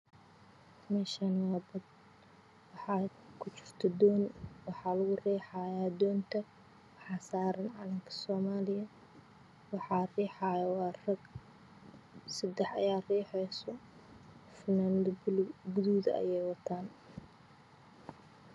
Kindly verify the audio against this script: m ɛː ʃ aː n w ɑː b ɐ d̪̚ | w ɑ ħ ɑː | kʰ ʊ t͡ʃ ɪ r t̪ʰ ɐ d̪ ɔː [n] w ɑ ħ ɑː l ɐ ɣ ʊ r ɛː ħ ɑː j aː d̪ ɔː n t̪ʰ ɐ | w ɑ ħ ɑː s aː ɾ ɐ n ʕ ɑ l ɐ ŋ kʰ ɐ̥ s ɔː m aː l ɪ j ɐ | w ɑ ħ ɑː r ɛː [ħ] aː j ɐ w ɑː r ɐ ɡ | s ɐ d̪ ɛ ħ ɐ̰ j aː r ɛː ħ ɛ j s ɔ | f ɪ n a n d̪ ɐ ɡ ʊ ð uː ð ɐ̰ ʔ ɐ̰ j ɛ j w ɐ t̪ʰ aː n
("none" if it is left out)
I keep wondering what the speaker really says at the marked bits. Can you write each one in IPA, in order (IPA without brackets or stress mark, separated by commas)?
n, ħ